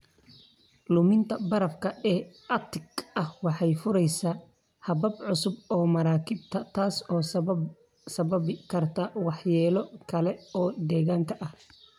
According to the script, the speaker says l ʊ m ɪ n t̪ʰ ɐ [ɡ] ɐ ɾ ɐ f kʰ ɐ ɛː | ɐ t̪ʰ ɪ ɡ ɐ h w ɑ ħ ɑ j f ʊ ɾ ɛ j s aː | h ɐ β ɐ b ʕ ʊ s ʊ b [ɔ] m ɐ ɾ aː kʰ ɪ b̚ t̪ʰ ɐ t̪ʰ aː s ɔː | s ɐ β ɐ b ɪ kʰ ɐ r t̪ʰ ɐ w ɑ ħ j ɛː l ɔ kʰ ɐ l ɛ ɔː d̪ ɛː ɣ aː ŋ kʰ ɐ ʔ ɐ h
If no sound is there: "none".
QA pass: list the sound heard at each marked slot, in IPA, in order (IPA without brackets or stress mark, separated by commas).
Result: b, ɔː